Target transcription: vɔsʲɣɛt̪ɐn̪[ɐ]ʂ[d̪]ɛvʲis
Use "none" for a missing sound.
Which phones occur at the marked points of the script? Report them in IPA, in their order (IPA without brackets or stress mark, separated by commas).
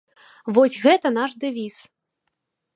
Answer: a, d̪